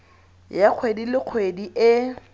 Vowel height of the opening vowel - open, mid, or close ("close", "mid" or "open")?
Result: open